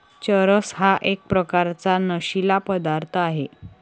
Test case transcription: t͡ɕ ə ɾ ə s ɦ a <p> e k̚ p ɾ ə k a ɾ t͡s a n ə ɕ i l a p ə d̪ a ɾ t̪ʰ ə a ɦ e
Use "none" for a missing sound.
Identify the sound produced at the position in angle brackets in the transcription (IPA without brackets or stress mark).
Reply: ʔ